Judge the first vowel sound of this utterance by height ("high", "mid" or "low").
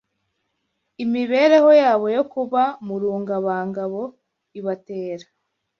high